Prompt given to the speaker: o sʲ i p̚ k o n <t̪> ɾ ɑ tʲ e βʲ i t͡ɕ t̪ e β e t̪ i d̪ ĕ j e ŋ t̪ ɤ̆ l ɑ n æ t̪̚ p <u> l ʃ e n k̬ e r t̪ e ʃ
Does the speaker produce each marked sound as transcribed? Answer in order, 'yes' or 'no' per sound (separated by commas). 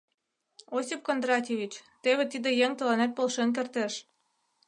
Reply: no, no